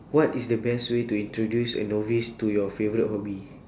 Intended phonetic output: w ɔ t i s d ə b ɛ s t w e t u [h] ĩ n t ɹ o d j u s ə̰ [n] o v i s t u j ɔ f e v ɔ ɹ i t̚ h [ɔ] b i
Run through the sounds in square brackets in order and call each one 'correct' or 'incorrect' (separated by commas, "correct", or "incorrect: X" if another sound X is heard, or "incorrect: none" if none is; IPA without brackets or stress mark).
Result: incorrect: none, correct, correct